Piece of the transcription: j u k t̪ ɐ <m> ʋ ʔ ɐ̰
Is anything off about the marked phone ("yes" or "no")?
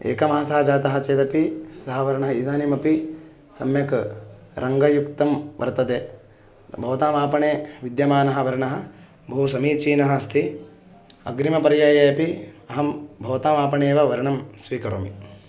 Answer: no